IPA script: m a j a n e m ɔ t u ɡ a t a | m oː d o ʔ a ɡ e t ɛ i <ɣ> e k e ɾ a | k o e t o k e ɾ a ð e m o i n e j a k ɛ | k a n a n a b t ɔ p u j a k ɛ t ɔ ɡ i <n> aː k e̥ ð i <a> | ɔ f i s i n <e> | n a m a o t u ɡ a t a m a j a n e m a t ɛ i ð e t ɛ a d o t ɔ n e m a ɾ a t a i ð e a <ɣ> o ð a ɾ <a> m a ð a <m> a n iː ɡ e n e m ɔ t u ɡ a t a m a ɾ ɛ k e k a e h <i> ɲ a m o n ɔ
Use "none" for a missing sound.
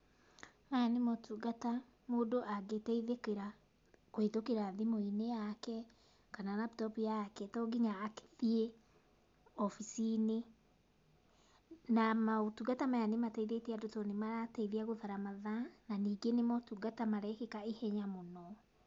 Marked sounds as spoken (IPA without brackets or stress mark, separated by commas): ð, ɲ, e, e, ɣ, a, n, ɛ